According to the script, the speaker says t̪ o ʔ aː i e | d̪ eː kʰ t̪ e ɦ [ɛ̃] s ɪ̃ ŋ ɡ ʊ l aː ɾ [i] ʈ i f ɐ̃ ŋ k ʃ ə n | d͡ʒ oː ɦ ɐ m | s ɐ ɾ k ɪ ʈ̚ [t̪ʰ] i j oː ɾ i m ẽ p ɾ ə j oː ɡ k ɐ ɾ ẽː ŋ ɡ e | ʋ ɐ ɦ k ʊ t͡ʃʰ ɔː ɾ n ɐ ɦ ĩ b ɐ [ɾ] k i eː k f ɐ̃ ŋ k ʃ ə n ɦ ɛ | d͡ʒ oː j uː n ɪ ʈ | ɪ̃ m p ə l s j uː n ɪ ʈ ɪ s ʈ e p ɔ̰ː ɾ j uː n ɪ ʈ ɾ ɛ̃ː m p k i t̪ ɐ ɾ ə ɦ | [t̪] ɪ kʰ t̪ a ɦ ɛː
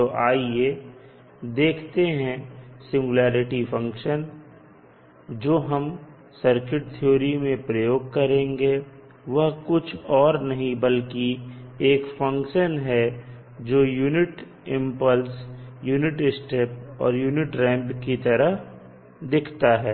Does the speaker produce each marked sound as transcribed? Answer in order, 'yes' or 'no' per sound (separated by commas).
yes, no, yes, no, no